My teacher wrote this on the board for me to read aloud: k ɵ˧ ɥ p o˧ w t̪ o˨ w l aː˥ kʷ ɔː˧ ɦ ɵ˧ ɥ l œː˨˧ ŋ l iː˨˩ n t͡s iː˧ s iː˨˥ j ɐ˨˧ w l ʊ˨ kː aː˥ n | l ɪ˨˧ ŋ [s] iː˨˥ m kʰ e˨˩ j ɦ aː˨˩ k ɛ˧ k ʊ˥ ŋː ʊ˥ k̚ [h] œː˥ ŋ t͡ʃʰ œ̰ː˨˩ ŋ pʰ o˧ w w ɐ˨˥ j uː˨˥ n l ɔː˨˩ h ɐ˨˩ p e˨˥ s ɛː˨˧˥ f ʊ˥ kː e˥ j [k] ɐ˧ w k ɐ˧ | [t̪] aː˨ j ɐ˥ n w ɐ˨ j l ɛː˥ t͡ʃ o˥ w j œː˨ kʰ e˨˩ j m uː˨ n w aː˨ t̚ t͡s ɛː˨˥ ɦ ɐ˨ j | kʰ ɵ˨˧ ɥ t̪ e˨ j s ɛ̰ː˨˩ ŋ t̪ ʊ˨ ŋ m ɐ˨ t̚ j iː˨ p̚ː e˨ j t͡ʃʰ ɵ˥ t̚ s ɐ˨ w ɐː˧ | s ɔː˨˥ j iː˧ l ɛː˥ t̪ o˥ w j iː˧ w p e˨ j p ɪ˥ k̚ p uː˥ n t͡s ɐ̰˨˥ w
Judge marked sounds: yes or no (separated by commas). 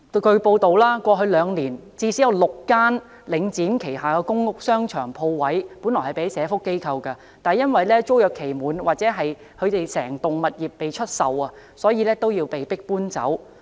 no, no, no, yes